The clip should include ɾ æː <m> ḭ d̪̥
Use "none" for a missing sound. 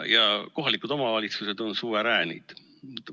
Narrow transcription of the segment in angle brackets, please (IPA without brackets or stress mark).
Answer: n